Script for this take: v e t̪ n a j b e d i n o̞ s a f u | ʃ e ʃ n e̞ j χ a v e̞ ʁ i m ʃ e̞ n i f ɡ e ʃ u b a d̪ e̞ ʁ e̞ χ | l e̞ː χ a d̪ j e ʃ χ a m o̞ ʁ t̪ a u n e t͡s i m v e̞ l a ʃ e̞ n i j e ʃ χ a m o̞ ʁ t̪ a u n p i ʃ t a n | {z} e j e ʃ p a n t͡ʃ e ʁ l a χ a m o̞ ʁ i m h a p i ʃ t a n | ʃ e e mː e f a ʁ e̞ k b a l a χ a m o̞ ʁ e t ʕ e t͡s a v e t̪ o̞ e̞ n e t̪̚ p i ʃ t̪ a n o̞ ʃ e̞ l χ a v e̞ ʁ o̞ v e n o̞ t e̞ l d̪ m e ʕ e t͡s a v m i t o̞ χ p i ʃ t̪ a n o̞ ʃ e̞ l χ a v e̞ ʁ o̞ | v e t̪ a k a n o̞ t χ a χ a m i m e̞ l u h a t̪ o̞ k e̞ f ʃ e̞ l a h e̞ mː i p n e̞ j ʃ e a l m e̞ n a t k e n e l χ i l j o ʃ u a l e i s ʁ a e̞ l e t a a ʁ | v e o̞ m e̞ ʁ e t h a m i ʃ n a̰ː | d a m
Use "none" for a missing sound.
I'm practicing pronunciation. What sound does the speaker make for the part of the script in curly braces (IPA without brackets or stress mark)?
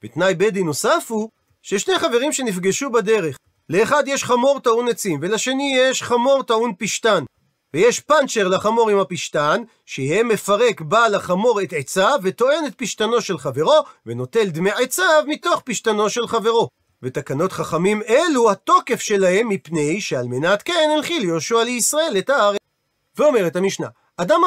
v